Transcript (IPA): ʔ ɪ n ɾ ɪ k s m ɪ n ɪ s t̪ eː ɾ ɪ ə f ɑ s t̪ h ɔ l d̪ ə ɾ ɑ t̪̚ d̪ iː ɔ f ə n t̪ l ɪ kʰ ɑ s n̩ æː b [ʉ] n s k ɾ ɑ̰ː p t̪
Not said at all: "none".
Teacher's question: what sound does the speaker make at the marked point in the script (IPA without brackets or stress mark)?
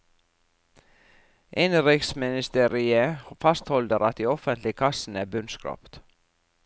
ʉ